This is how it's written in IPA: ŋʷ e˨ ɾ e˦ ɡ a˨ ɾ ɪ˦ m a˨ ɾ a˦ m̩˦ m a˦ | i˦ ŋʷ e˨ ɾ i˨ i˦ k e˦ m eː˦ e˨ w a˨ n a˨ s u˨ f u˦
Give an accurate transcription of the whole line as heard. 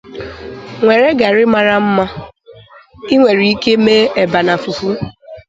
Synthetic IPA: ŋʷ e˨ ɾ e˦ ɡ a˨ ɾ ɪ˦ m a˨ ɾ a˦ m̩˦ m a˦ | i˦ ŋʷ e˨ ɾ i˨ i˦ k e˦ m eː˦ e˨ b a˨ n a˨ f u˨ f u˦